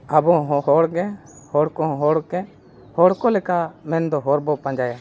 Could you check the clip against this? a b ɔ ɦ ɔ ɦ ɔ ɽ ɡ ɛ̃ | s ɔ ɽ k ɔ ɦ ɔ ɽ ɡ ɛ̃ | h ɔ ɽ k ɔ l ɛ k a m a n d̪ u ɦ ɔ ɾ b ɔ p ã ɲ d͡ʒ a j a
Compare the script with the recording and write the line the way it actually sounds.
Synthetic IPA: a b ɔ ɦ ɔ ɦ ɔ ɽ ɡ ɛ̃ | h ɔ ɽ k ɔ ɦ ɔ ɽ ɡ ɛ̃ | h ɔ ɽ k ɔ l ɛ k a m ɛ n d̪ ɔ ɦ ɔ ɾ b ɔ p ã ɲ d͡ʒ a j a